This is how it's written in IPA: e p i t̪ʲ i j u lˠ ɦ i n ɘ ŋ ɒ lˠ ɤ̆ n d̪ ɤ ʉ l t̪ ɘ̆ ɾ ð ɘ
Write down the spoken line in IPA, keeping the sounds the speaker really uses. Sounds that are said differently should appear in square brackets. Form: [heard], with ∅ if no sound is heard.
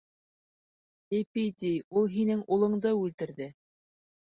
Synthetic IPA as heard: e p i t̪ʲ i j u lˠ ɦ i n ɘ ŋ [u] lˠ ɤ̆ [ɴ] d̪ ɤ ʉ l t̪ ɘ̆ ɾ ð ɘ